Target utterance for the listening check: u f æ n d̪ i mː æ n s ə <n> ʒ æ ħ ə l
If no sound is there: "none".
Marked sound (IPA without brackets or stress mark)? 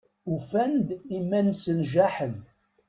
n